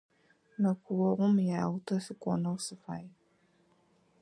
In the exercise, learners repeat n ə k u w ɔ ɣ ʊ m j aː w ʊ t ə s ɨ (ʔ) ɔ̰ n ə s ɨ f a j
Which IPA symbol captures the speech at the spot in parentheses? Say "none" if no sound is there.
k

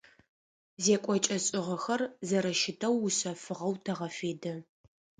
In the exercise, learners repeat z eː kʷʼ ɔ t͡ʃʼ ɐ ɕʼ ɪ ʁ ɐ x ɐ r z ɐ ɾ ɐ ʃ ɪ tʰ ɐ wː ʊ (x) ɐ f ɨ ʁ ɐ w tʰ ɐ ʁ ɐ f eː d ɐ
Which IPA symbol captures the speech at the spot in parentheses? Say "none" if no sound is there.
ɕ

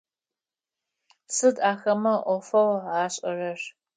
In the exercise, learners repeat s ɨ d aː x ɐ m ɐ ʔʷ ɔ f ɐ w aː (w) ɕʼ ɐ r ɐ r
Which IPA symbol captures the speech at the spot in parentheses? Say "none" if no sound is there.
none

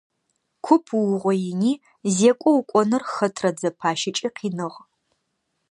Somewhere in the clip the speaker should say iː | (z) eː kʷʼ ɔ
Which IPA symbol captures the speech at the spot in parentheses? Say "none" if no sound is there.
z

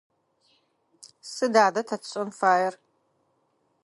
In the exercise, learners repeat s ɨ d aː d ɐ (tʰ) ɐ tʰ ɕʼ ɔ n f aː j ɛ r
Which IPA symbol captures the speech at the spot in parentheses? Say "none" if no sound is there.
tʰ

